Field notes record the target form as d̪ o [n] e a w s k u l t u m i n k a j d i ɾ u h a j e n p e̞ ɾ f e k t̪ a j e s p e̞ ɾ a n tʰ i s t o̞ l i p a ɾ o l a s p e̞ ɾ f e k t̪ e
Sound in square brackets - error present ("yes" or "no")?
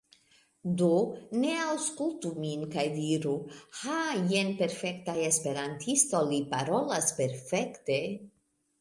no